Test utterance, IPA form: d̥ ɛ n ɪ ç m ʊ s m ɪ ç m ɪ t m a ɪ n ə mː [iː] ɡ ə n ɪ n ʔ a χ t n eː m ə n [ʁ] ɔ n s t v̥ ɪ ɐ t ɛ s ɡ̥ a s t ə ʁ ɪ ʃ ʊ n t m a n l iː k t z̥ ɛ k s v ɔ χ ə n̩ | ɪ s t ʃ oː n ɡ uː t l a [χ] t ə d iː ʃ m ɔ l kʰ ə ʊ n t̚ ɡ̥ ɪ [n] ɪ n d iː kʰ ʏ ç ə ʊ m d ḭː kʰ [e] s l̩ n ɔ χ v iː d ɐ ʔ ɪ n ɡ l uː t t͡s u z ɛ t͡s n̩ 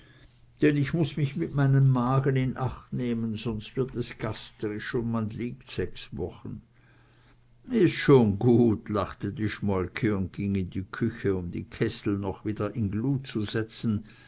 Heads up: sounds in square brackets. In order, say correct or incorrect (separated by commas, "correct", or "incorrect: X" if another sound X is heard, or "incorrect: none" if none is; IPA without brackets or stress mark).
incorrect: aː, incorrect: z, correct, incorrect: ŋ, incorrect: ɛ